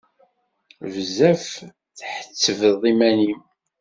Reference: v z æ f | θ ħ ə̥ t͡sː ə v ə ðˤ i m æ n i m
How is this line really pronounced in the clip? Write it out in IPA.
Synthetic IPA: v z æ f | θ ħ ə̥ t͡sː ə v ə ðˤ i m æ n i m